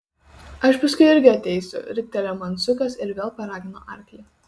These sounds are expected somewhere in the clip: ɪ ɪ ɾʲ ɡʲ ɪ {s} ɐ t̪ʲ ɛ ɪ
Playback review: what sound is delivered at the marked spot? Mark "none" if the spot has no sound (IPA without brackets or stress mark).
none